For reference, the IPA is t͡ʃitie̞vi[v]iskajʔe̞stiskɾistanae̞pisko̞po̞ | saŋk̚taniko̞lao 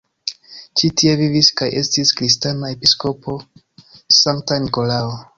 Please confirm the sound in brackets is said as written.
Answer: yes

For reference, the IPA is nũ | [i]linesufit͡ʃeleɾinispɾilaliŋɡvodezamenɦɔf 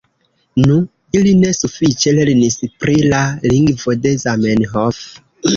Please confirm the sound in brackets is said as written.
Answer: yes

